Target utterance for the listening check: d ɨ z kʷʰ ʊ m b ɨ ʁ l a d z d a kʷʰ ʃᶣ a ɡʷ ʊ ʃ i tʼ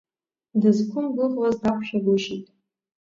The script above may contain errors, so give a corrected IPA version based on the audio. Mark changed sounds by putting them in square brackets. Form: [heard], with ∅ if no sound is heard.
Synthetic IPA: d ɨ z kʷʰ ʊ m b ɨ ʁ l a [∅] z d a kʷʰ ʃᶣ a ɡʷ ʊ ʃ i tʼ